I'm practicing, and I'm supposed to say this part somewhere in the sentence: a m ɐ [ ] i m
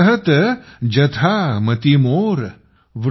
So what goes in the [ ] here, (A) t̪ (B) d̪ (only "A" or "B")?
A